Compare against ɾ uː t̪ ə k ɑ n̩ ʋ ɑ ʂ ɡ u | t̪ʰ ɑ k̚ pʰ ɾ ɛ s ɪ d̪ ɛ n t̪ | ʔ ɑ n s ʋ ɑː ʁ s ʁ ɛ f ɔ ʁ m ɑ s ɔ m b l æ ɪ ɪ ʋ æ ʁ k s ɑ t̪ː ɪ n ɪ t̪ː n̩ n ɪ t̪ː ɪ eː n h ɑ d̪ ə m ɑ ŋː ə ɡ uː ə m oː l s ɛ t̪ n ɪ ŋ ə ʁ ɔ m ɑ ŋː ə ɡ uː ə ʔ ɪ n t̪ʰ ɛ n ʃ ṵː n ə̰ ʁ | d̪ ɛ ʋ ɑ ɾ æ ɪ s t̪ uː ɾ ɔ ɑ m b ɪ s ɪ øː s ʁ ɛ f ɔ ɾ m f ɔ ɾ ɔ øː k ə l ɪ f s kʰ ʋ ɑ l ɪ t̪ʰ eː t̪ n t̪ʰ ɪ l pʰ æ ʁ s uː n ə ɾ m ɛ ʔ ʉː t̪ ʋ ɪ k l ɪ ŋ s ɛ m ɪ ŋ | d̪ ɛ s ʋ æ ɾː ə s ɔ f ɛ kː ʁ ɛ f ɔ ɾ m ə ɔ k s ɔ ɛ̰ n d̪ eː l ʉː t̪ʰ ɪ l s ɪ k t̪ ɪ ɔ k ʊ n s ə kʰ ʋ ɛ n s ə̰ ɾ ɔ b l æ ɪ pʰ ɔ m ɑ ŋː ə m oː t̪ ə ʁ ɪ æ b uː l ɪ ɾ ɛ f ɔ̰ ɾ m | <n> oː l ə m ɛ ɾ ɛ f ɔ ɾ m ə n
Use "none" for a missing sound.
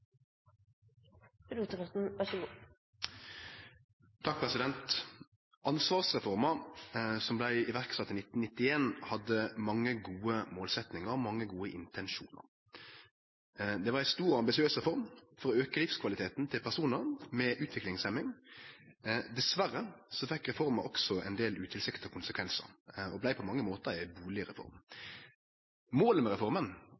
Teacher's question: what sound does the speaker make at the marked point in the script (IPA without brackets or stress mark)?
m